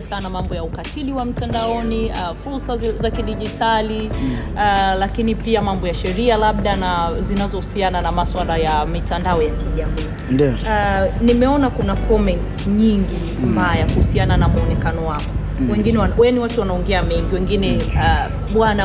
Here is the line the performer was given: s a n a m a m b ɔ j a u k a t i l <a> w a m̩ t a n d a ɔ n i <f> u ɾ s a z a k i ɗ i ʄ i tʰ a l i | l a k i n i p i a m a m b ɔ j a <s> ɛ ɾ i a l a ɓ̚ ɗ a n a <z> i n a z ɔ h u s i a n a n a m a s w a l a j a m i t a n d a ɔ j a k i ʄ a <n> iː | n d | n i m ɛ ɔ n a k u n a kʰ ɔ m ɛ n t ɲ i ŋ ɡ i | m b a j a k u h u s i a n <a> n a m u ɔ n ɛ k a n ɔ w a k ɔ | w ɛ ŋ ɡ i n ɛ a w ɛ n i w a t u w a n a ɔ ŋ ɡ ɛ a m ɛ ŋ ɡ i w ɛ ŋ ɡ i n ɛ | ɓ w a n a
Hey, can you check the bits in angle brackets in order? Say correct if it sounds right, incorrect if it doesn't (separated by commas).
incorrect, correct, incorrect, correct, incorrect, correct